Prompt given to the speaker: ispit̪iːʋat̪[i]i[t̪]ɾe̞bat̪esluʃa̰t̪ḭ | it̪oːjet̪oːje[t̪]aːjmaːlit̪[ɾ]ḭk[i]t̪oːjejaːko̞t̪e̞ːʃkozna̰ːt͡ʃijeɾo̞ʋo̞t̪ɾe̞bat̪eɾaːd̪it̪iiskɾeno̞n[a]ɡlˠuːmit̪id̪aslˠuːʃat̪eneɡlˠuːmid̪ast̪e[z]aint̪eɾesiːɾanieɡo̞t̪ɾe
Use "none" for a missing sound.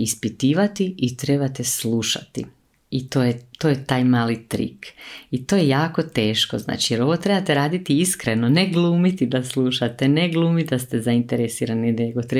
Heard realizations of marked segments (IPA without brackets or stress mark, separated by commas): i, t̪, t̪, ɾ, i, e, z